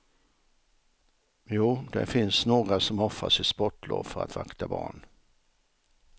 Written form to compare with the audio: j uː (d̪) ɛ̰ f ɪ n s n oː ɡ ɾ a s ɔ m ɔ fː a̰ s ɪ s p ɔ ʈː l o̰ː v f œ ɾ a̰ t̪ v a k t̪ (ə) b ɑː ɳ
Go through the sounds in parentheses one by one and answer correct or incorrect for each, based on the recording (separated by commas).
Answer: correct, incorrect